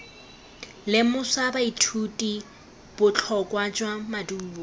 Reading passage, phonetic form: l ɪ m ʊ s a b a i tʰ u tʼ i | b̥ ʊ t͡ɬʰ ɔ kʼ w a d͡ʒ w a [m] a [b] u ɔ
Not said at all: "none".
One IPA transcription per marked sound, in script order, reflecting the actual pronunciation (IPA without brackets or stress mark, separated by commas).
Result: m, d